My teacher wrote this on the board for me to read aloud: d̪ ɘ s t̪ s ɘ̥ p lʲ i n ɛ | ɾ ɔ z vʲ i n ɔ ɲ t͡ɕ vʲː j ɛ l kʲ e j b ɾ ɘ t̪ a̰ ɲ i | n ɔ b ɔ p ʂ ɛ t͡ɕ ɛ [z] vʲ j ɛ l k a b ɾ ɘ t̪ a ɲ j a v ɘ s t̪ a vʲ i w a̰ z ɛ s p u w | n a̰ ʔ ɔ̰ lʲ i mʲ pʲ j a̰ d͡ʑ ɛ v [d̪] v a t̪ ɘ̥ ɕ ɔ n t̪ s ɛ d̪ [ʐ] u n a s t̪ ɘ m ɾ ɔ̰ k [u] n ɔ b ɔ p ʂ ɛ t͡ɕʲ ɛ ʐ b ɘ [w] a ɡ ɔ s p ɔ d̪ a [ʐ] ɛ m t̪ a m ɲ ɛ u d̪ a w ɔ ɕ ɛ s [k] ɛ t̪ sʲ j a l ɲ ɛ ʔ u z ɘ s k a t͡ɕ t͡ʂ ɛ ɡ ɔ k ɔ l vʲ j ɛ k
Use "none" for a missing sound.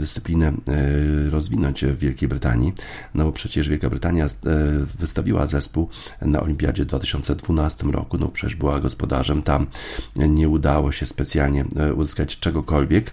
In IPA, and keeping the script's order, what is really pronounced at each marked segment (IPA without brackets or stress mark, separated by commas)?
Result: ʐ, d̪, v, u, w, ʐ, p